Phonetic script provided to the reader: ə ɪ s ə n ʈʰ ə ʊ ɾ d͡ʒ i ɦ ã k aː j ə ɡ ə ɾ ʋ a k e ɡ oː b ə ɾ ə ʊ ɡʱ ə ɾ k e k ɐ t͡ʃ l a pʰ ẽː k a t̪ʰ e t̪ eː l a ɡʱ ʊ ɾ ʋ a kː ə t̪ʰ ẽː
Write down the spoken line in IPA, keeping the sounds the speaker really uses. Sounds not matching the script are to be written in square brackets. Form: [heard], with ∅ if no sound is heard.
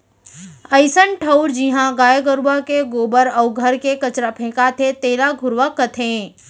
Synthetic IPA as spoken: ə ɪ s ə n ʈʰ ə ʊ ɾ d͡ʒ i ɦ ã [ɡ] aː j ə ɡ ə ɾ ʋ a k e ɡ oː b ə ɾ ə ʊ ɡʱ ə ɾ k e k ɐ t͡ʃ [ɾ] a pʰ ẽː k a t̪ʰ e t̪ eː l a ɡʱ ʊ ɾ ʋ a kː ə t̪ʰ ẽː